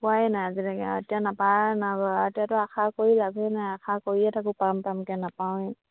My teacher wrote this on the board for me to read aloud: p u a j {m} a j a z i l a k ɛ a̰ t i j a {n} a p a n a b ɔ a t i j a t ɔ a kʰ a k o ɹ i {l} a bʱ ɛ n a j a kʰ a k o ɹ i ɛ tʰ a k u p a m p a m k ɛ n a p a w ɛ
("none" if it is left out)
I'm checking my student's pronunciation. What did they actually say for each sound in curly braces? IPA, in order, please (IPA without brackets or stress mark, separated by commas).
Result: n, n, l